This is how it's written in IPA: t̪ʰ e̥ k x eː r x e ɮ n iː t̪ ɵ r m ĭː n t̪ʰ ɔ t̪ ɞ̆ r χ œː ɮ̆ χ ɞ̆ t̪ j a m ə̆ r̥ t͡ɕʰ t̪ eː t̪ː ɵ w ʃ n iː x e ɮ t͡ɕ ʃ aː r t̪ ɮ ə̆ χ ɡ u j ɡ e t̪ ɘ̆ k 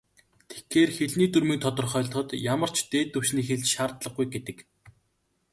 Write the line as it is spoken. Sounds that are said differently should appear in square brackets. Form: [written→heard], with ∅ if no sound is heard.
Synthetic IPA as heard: t̪ʰ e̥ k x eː r x e ɮ n iː t̪ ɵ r m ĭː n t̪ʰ ɔ t̪ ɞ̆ r χ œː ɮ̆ χ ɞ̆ t̪ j a m ə̆ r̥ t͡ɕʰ t̪ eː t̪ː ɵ w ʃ n iː x e ɮ t͡ɕ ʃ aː r t̪ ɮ ə̆ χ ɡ u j ɡ e t̪ ɘ̆ k